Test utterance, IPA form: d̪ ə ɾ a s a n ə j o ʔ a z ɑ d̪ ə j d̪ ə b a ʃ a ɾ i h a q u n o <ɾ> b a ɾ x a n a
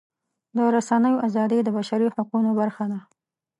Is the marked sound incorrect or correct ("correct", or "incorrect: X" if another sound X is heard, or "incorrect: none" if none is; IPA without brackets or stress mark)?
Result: incorrect: none